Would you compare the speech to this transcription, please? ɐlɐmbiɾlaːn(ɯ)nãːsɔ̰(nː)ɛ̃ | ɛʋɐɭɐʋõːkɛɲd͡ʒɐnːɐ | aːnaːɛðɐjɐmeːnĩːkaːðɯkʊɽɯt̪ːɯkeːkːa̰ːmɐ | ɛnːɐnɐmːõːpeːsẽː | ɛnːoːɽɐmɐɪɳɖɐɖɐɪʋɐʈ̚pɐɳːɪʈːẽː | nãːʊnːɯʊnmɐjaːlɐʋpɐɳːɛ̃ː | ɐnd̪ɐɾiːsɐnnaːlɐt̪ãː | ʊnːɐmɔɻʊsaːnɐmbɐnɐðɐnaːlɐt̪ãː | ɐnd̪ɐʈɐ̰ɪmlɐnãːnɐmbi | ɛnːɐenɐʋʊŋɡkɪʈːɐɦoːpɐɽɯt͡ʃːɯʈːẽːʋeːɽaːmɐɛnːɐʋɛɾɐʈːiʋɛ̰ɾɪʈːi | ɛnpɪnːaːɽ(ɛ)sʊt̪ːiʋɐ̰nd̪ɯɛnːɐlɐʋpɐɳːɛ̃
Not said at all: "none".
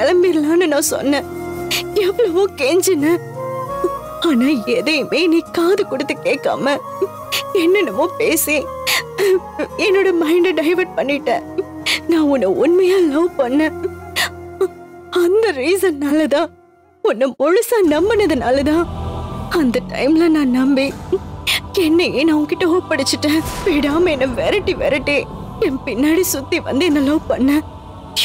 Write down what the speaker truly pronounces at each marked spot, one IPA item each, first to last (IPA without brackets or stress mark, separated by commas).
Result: ɯ, nː, i